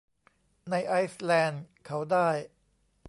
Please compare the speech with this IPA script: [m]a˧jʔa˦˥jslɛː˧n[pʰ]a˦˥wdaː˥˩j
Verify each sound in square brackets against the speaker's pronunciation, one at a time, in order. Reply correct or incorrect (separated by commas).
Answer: incorrect, incorrect